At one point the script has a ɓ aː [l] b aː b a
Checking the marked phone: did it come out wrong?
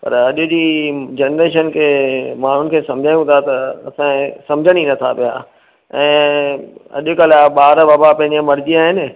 yes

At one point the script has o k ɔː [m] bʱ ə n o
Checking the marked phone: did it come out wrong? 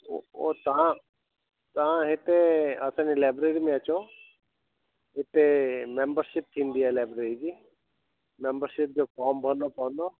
no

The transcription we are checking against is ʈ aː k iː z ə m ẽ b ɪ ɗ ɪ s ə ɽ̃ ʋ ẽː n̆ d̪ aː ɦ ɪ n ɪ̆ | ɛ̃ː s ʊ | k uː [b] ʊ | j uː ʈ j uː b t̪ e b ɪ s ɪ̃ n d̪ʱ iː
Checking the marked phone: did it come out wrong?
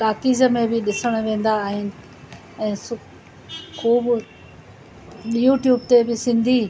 no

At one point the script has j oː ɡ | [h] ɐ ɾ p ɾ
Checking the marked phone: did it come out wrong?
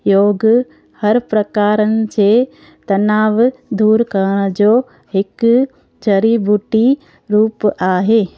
no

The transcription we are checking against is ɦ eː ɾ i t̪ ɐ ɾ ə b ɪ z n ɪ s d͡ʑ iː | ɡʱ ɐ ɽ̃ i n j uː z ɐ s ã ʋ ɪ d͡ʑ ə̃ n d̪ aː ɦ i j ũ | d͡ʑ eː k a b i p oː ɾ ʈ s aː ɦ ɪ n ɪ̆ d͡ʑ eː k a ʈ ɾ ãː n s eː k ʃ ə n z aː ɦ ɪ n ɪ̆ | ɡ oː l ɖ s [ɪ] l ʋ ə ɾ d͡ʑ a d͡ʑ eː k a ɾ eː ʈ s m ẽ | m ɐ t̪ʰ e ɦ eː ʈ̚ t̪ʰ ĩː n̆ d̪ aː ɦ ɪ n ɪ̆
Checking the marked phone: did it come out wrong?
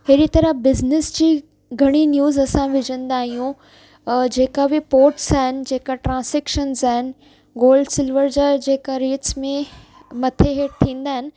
no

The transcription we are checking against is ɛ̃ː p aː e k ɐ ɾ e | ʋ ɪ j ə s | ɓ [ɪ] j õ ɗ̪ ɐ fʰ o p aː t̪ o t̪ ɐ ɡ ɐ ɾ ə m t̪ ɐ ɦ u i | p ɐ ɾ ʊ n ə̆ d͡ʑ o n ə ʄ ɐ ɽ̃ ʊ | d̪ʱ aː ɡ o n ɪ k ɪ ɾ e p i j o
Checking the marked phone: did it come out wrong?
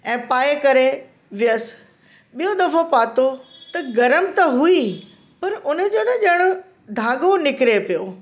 yes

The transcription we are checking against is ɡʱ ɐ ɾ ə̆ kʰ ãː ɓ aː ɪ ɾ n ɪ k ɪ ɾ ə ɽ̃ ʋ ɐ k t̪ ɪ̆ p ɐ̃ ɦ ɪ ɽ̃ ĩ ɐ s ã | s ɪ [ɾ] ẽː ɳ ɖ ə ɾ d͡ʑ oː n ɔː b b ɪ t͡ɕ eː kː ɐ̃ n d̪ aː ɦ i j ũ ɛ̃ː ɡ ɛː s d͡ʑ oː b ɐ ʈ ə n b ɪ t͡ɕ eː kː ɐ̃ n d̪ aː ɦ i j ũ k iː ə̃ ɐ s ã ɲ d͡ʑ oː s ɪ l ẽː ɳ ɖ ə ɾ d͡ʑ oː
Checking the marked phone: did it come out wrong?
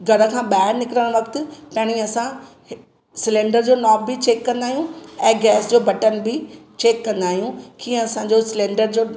yes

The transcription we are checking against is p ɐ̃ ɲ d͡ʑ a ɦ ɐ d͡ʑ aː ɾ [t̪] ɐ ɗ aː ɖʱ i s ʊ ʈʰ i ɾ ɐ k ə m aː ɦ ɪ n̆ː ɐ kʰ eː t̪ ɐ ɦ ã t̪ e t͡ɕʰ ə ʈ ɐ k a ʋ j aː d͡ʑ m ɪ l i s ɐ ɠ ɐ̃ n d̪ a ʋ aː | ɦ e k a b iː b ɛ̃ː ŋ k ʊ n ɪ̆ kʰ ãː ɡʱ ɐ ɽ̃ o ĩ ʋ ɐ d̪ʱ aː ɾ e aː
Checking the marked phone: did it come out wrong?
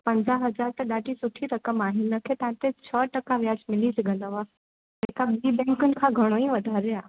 no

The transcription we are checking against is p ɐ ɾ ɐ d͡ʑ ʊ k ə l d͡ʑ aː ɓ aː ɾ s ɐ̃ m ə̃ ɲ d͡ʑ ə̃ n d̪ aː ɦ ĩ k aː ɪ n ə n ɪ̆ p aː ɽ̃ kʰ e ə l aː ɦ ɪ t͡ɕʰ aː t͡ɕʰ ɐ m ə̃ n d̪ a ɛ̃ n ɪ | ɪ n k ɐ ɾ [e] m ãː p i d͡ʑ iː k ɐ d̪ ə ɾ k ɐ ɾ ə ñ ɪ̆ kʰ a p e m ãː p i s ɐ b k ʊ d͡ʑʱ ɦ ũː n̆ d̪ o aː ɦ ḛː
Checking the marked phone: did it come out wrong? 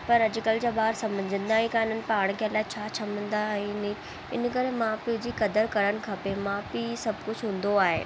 no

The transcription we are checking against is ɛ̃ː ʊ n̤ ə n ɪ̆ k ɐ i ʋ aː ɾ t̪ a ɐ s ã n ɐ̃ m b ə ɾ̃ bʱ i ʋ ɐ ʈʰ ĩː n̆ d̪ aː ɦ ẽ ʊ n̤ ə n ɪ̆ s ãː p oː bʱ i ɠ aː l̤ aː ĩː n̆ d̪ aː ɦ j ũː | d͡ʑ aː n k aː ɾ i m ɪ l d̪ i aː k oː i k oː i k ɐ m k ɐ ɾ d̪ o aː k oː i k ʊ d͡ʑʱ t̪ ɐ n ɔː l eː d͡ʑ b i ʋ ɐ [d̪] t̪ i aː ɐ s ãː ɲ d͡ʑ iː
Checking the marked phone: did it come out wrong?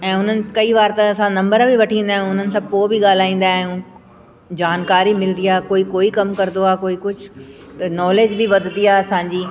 no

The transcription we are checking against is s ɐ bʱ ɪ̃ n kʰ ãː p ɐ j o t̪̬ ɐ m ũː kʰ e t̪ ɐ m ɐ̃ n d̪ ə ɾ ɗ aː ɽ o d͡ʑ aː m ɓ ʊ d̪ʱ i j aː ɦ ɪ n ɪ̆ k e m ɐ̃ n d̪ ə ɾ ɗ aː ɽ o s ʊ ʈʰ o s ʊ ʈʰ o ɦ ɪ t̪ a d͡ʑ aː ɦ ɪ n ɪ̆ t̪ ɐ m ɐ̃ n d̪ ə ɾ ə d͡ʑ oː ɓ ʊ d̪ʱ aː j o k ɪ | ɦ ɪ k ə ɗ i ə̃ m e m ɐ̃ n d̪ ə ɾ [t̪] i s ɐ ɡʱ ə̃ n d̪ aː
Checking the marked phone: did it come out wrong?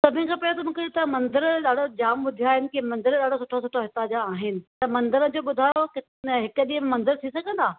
yes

